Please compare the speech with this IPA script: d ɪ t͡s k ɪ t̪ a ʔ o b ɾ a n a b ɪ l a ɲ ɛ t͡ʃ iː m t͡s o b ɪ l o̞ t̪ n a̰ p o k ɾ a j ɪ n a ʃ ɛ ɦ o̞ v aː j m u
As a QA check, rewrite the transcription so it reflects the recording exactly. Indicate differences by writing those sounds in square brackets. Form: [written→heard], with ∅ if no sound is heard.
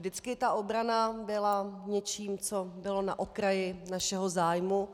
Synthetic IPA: d ɪ t͡s k ɪ t̪ a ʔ o b ɾ a n a b ɪ l a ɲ ɛ t͡ʃ iː m t͡s o b ɪ l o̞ [t̪→∅] n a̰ [p→ʔ] o k ɾ a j ɪ n a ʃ ɛ ɦ o̞ [v→z] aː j m u